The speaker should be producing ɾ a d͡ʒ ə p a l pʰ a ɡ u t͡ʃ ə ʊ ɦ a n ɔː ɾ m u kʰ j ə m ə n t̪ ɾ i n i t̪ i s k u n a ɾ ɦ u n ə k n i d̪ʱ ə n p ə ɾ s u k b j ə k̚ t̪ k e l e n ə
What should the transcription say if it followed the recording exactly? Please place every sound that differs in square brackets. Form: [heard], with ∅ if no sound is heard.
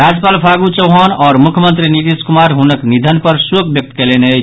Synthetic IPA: ɾ a d͡ʒ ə p a l pʰ a ɡ u t͡ʃ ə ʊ ɦ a n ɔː ɾ m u kʰ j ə m ə n t̪ ɾ i n i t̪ i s k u [m] a ɾ ɦ u n ə k n i d̪ʱ ə n p ə ɾ s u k b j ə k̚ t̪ k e l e n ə